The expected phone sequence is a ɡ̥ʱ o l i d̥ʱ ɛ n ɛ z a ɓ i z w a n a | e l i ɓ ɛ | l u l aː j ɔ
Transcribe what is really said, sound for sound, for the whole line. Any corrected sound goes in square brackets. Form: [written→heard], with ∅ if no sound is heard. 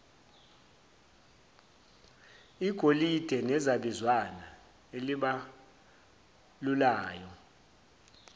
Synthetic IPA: [a→i] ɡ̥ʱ o l i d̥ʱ ɛ n ɛ z a ɓ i z w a n a | e l i ɓ [ɛ→a] | l u l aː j ɔ